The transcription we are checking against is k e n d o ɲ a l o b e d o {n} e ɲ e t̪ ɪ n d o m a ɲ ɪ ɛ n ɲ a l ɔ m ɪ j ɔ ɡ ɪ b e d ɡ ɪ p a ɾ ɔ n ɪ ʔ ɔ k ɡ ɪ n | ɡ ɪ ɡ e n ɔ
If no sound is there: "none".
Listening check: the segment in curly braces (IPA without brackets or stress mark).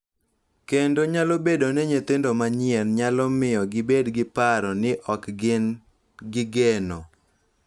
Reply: n